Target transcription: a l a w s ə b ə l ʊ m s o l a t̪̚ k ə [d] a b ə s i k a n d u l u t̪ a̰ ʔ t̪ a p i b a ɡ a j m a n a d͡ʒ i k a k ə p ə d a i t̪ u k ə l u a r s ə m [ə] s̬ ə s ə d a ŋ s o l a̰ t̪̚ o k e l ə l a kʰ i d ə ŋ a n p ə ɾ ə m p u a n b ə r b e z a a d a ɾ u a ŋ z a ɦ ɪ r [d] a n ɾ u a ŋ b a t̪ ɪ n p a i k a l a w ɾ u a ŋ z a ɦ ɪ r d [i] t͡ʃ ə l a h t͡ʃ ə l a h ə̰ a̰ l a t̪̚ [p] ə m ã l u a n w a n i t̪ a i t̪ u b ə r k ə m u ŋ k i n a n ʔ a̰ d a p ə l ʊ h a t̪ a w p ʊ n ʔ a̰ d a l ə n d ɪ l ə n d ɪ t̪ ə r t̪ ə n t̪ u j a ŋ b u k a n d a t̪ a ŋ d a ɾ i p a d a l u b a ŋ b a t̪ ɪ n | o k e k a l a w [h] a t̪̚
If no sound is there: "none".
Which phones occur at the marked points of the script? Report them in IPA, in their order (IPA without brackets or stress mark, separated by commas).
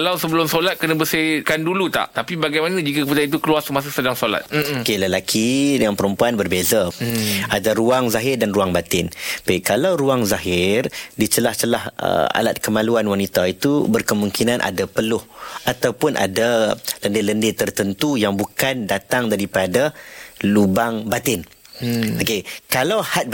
n, a, d, i, k, h